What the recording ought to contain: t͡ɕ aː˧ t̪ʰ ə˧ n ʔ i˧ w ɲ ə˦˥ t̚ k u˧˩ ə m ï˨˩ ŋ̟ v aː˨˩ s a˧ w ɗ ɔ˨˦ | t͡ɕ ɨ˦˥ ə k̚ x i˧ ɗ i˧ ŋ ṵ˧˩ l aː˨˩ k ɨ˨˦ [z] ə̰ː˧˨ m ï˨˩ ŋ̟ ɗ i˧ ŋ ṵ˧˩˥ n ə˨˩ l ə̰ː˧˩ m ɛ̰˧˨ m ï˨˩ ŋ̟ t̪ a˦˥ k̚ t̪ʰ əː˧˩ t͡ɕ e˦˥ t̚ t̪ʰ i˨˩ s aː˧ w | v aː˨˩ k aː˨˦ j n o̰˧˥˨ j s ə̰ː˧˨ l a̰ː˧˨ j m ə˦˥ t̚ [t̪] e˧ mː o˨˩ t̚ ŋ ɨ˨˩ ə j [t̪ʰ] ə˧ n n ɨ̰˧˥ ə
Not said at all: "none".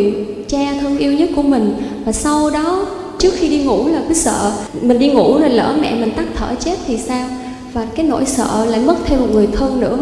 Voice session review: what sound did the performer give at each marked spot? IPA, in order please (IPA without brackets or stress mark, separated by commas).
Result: s, t̪ʰ, t̪ʰ